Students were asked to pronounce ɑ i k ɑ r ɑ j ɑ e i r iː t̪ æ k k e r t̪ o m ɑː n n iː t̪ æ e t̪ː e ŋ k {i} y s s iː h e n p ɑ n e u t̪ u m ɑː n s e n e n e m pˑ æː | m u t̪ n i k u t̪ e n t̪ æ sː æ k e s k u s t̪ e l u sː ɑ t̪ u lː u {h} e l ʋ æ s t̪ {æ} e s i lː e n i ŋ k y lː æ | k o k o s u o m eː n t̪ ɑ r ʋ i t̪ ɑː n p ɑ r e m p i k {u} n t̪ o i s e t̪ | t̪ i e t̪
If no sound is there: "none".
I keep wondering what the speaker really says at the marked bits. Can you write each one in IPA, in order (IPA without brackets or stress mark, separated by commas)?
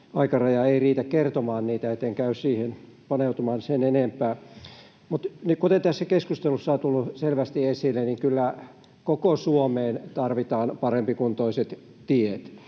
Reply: æ, s, i, u